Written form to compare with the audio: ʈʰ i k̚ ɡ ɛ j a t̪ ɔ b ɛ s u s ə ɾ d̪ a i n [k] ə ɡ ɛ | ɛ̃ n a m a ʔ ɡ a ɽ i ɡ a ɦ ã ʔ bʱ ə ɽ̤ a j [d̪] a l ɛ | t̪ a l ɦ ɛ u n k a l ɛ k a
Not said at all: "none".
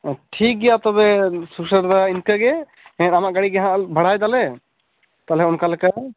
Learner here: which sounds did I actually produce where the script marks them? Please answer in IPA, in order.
k, d̪

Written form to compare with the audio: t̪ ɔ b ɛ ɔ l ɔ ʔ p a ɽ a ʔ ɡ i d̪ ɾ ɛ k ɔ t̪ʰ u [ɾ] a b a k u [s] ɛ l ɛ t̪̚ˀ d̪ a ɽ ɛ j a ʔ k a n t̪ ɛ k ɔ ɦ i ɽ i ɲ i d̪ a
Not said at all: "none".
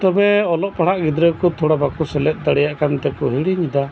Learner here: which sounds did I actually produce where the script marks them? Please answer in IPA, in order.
ɽ, s

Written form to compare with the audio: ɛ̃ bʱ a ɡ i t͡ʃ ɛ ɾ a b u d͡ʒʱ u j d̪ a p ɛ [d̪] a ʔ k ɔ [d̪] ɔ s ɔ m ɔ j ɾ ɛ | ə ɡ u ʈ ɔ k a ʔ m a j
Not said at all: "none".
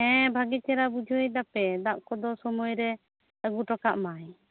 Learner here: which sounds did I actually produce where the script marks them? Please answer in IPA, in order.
d̪, d̪

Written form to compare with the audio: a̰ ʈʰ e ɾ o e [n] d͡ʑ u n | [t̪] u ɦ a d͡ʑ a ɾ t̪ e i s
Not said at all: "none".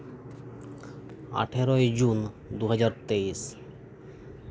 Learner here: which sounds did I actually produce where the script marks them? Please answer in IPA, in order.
none, d̪

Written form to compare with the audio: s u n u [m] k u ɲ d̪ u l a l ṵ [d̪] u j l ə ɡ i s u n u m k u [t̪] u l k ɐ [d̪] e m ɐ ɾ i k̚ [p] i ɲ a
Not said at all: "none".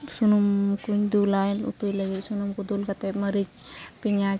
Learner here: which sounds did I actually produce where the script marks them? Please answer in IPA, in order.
m, t̪, d̪, t̪, p

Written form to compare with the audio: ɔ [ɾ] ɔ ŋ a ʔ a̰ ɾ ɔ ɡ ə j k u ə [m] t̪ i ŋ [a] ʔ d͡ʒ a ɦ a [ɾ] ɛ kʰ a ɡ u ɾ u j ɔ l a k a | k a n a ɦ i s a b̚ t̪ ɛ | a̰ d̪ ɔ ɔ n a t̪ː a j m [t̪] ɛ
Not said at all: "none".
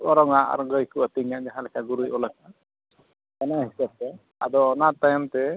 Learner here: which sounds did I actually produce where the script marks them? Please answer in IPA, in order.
ɾ, none, a, l, t̪

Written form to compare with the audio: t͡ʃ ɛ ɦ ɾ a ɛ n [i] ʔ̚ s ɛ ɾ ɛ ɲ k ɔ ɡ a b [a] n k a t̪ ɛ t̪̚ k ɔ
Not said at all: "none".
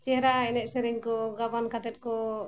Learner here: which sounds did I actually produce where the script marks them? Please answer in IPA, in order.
ɛ, a

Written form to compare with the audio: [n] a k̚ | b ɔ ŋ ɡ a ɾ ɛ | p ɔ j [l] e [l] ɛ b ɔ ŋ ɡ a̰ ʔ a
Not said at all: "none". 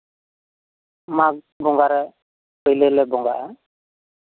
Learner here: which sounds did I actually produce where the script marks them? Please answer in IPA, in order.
m, l, l

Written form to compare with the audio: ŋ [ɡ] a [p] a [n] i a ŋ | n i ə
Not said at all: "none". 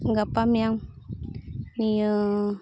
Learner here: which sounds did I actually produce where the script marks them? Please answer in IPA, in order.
ɡ, p, m

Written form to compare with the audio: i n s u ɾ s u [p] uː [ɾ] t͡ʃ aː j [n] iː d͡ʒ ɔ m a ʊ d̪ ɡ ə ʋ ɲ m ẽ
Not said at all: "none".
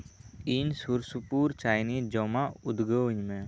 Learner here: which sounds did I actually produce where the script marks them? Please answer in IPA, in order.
p, ɾ, n

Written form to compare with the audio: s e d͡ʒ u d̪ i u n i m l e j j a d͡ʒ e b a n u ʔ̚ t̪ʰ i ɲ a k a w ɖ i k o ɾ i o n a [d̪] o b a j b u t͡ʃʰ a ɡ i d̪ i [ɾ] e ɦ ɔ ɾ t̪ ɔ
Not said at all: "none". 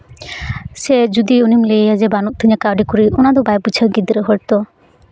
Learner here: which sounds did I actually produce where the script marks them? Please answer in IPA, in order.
d̪, ɾ

